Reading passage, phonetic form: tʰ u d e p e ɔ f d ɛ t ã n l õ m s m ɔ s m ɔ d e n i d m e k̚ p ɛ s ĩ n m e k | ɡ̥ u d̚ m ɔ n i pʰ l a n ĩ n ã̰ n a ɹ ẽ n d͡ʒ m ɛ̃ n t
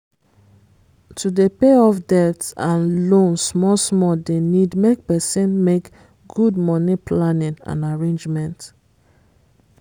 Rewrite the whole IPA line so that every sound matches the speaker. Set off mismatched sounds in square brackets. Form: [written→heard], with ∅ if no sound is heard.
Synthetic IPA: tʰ u d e p e ɔ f d ɛ t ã n l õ [m→n] s m ɔ s m ɔ d e n i d m e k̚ p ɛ s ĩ n m e k | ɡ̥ u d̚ m ɔ n i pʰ l a n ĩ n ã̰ n a ɹ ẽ n d͡ʒ m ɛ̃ n t